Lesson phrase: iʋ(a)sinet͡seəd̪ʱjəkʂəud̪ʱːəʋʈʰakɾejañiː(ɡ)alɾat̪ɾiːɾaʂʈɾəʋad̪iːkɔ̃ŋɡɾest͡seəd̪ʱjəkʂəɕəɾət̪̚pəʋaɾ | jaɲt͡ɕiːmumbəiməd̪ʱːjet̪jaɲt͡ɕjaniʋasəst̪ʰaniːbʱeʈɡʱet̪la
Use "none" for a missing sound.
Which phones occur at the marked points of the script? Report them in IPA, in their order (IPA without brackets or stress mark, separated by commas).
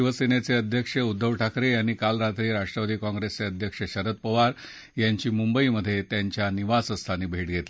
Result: ə, k